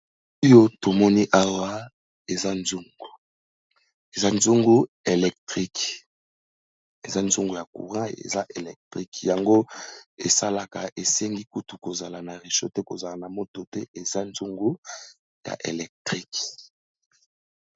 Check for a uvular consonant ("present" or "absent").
present